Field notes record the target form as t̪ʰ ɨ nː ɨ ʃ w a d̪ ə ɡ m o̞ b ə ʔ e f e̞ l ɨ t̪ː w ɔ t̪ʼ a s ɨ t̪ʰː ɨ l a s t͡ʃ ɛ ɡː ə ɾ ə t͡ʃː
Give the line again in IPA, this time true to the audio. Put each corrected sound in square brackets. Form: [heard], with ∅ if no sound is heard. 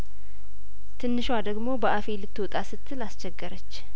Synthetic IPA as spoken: t̪ʰ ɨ nː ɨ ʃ w a d̪ ə ɡ m o̞ b ə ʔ [a] f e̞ l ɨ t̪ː w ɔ t̪ʼ a s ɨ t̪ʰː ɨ l a s t͡ʃ ɛ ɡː ə ɾ ə t͡ʃː

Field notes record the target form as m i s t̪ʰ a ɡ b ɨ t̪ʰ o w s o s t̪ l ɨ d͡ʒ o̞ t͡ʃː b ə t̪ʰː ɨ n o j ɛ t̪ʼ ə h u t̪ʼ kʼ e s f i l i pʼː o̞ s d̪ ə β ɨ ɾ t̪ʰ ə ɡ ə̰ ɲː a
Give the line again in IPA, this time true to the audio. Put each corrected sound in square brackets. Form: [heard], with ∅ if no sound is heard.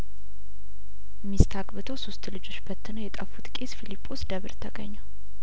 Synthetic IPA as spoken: m i s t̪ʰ a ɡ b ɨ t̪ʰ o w s o s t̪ l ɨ d͡ʒ o̞ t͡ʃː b ə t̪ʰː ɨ n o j ɛ t̪ʼ ə [f] u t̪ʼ kʼ e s f i l i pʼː o̞ s d̪ ə β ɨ ɾ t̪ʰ ə ɡ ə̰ ɲː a

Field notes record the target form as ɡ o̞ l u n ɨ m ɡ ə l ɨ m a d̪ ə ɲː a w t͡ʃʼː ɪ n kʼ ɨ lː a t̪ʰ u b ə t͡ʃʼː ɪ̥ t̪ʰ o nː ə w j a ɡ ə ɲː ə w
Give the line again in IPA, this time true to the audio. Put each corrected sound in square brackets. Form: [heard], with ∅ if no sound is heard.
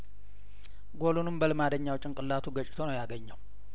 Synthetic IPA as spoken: ɡ o̞ l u n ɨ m [b] ə l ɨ m a d̪ ə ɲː a w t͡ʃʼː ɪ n kʼ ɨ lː a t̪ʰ u [ɡ] ə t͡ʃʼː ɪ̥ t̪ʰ o [n] ə w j a ɡ ə ɲː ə w

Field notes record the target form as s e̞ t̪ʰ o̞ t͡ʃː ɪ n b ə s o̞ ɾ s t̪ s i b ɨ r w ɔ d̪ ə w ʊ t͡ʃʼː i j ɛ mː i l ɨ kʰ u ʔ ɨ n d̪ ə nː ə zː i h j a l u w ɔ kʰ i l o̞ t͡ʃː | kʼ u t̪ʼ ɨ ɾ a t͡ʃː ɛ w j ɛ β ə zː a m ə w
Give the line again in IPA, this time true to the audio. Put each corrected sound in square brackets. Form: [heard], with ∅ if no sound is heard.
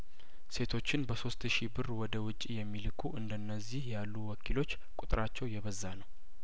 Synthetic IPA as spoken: s e̞ t̪ʰ o̞ t͡ʃː ɪ n b ə s o̞ [∅] s t̪ [ʃ] i b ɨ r w ɔ d̪ ə w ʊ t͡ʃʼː i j ɛ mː i l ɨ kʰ u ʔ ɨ n d̪ ə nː ə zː i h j a [lː] u w ɔ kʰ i l o̞ t͡ʃː | kʼ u t̪ʼ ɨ ɾ a t͡ʃː ɛ w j ɛ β ə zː a [n] ə w

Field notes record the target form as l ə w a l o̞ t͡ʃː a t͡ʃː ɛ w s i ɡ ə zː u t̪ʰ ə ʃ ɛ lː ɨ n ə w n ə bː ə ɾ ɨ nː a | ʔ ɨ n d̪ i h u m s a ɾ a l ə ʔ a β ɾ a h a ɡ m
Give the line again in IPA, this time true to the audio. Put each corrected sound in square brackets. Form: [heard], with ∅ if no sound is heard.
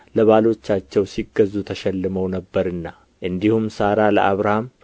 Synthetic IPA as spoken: l ə [β] a l o̞ t͡ʃː a t͡ʃː ɛ w s i ɡ ə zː u t̪ʰ ə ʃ ɛ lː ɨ [m] ə w n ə bː ə ɾ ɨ nː a | ʔ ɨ n d̪ i h u m s a ɾ a l ə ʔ a β ɾ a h a [∅] m

